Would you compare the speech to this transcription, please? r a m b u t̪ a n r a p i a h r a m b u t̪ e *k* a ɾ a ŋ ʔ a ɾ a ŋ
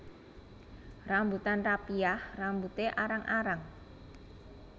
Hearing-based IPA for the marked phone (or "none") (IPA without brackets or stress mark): ʔ